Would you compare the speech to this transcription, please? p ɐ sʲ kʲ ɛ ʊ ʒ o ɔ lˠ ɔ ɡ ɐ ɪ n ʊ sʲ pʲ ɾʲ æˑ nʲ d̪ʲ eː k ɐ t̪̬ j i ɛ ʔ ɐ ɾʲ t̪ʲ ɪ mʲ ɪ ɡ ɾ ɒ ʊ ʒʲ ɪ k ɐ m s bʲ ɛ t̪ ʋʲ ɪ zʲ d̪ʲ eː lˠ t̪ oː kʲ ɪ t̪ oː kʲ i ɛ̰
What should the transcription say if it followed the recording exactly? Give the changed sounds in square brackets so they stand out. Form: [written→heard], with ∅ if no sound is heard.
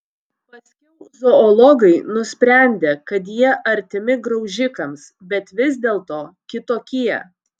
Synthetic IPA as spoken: p ɐ sʲ kʲ ɛ ʊ [ʒ→z] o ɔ lˠ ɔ ɡ ɐ ɪ n ʊ sʲ pʲ ɾʲ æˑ nʲ d̪ʲ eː k ɐ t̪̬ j i ɛ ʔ ɐ ɾʲ t̪ʲ ɪ mʲ ɪ ɡ ɾ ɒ ʊ ʒʲ ɪ k ɐ m s bʲ ɛ t̪ ʋʲ ɪ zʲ d̪ʲ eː lˠ t̪ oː kʲ ɪ t̪ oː kʲ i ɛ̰